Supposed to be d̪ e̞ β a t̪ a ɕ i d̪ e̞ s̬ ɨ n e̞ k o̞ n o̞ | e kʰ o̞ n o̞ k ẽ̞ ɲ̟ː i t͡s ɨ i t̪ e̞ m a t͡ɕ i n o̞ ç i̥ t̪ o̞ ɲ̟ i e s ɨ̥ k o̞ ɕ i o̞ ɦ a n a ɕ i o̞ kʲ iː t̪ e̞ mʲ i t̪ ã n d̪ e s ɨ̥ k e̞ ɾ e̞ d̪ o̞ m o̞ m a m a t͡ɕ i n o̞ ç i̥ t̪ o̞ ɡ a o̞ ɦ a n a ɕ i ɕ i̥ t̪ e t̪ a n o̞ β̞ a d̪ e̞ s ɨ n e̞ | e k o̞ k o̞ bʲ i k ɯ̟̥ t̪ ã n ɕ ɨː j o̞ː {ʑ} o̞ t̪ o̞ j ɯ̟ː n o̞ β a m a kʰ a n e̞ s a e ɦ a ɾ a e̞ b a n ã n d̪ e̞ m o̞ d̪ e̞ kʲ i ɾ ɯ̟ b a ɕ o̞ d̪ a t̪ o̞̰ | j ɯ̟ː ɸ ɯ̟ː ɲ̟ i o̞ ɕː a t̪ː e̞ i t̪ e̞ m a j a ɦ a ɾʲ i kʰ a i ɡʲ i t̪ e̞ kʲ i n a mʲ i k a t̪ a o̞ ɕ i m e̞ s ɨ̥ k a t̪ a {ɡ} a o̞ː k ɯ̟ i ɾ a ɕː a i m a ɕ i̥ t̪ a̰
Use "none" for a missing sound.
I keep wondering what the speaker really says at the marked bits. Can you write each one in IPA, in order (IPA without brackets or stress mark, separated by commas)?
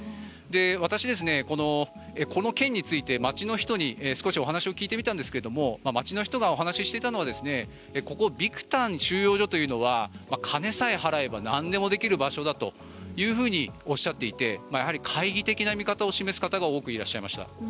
ʑ, ɡ